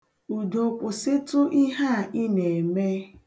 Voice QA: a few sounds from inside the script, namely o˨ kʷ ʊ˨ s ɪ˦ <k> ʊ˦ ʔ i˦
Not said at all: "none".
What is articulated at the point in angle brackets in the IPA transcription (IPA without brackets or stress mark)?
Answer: t